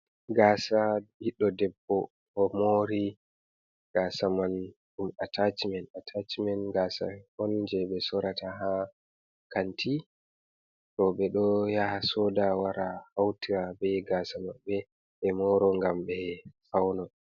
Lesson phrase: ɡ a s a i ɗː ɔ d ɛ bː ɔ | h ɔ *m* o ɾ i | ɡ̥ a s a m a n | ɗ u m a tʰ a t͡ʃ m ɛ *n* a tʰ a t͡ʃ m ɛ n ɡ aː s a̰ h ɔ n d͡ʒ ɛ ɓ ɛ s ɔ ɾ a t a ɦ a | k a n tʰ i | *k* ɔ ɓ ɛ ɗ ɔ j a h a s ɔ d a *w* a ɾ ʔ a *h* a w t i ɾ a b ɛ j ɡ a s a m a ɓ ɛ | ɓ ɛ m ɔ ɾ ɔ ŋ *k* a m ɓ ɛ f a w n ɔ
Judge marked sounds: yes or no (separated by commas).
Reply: yes, yes, no, yes, yes, no